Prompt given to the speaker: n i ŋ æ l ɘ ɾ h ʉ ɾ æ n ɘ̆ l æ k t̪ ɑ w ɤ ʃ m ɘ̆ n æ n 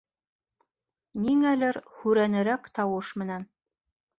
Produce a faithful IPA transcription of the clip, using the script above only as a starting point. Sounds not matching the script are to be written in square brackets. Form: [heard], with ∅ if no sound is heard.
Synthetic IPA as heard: n i ŋ æ l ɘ ɾ h ʉ ɾ æ n ɘ̆ [ɾ] æ k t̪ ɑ w ɤ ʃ m ɘ̆ n æ n